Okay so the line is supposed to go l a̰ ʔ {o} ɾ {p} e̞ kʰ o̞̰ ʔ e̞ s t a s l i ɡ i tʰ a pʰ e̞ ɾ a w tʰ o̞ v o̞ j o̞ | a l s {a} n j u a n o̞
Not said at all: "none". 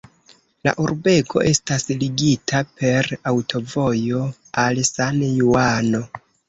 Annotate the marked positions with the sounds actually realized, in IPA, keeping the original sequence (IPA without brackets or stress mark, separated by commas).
u, b, a